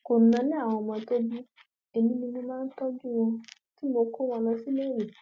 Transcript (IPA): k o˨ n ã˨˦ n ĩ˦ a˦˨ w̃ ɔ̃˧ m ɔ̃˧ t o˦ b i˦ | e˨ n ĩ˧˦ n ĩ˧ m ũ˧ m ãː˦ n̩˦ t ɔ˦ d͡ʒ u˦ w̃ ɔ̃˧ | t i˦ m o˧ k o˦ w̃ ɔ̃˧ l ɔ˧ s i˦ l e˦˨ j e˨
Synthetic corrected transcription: k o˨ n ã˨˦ n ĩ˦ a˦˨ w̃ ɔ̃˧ m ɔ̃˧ t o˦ b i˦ | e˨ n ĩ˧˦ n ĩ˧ n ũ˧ m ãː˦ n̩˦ t ɔ˦ d͡ʒ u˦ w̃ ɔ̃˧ | t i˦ m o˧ k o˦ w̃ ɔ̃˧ l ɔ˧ s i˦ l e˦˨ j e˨

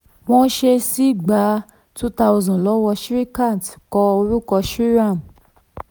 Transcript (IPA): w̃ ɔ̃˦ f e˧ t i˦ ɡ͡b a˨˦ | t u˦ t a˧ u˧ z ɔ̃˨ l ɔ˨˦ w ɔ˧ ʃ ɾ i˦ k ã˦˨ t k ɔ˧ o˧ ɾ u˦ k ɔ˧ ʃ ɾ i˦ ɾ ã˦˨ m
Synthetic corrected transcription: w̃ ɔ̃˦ ʃ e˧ s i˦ ɡ͡b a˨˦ | t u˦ t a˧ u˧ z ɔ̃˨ l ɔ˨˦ w ɔ˧ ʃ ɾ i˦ k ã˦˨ t k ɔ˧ o˧ ɾ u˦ k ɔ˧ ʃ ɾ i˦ ɾ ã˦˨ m

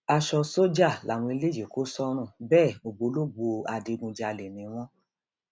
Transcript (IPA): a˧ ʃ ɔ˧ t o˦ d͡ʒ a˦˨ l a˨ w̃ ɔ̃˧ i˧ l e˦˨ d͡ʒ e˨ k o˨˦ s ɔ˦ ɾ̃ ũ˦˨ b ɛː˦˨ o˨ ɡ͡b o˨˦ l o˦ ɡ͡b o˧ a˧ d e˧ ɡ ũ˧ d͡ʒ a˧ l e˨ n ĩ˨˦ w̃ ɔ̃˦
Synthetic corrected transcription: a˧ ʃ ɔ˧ s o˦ d͡ʒ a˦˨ l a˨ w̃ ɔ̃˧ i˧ l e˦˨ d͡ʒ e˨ k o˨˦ s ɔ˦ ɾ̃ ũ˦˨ b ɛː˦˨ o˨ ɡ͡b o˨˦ l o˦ ɡ͡b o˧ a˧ d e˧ ɡ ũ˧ d͡ʒ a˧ l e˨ n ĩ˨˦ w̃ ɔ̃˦

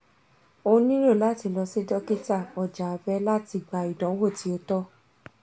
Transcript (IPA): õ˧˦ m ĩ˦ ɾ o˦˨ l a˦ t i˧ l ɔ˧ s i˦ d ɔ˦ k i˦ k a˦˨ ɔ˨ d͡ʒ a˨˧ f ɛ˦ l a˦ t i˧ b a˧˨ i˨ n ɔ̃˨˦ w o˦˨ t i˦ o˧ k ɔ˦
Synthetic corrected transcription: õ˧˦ n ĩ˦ ɾ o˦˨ l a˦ t i˧ l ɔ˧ s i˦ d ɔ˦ k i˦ t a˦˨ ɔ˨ d͡ʒ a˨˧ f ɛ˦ l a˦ t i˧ ɡ͡b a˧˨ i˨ d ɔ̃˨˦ w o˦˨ t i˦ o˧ t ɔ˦

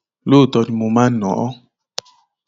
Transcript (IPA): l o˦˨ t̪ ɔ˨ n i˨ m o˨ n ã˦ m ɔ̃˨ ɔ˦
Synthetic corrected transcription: l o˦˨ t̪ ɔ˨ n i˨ m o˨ m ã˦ n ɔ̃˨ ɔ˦

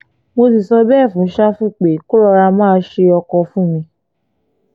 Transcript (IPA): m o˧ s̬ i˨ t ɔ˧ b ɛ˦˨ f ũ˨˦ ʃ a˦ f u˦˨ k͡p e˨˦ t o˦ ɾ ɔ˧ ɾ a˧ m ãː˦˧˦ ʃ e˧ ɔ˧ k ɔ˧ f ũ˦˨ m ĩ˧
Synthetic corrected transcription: m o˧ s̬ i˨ s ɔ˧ b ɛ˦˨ f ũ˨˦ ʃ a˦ f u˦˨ k͡p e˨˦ k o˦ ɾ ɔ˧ ɾ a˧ m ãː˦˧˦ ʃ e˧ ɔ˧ k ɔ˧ f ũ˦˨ m ĩ˧

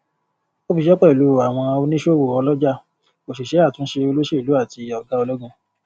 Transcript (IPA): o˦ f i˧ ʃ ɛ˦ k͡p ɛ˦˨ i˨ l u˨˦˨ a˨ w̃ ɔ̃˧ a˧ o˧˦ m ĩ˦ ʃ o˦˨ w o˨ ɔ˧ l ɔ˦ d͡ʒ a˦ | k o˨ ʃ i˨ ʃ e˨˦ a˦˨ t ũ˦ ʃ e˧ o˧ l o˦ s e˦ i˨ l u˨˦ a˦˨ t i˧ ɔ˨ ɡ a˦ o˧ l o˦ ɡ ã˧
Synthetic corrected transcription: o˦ f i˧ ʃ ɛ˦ k͡p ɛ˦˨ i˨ l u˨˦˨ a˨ w̃ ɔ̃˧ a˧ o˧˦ n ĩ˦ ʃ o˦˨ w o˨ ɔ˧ l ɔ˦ d͡ʒ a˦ | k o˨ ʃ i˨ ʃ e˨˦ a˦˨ t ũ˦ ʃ e˧ o˧ l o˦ ʃ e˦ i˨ l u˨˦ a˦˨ t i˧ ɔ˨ ɡ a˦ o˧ l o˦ ɡ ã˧

